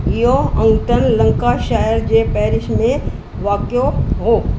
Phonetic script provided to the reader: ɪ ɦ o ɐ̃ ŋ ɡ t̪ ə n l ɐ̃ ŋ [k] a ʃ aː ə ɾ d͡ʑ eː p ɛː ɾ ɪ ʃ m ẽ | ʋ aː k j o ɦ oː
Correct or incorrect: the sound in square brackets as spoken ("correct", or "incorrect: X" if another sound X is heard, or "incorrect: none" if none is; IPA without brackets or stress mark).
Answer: correct